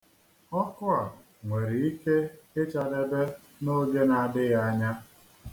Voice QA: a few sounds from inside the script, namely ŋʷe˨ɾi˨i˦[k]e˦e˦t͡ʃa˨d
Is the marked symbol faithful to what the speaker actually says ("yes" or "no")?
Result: yes